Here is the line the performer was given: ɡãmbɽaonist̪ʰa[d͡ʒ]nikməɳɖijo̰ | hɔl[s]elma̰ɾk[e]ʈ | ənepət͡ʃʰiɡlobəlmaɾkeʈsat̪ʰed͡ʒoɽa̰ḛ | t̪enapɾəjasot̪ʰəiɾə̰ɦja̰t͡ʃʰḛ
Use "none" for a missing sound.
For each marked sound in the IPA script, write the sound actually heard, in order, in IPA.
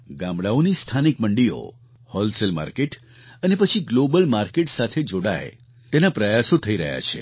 none, s, e

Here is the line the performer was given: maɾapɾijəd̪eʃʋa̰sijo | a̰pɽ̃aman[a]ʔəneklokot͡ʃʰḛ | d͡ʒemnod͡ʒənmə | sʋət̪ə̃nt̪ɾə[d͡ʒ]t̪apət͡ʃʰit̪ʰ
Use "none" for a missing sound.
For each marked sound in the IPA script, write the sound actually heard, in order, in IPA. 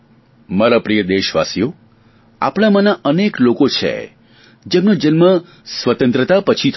a, none

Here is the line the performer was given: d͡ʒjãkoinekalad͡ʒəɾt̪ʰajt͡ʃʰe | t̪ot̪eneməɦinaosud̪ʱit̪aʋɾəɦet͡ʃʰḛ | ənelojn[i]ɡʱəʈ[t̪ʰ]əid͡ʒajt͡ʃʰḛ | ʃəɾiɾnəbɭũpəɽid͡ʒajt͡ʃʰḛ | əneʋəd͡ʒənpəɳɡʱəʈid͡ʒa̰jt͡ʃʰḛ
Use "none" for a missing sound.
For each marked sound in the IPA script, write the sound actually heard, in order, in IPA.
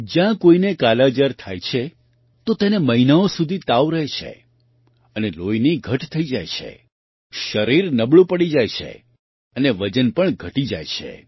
i, t̪ʰ

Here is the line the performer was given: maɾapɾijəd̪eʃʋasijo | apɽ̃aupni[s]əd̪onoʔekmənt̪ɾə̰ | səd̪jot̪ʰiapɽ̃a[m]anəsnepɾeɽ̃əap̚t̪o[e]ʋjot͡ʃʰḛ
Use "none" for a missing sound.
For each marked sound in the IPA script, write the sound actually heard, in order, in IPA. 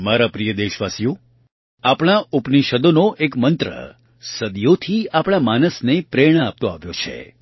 ʃ, m, a

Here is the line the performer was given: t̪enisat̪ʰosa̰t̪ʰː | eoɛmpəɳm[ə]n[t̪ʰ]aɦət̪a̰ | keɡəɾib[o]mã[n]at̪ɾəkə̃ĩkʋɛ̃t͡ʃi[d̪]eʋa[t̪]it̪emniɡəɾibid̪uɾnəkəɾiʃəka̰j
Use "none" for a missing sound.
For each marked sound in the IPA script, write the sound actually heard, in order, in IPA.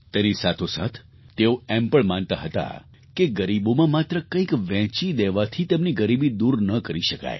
a, t̪, o, m, d̪, t̪ʰ

